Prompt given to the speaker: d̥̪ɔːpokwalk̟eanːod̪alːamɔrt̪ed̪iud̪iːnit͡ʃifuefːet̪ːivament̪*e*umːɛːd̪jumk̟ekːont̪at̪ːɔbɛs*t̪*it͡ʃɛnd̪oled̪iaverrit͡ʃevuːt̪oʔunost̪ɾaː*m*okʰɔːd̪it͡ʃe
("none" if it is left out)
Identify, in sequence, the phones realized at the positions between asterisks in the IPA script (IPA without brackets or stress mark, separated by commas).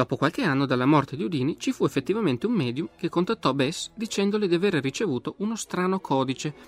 e, d̪, n